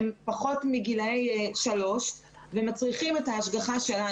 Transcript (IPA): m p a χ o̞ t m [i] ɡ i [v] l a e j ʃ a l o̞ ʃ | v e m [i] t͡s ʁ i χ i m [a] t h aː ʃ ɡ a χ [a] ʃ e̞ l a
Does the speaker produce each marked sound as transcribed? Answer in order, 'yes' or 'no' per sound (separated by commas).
yes, no, no, no, yes